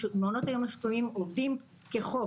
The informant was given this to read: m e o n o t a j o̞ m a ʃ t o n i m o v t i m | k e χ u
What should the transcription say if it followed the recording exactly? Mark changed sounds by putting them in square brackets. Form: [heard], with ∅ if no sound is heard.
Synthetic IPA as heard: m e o n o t a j o̞ m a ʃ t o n i m o v [d] i m | k e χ [o]